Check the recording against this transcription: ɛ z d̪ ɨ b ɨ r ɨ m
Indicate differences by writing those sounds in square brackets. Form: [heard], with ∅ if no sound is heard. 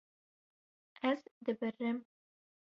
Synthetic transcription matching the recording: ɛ z d̪ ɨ b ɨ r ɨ m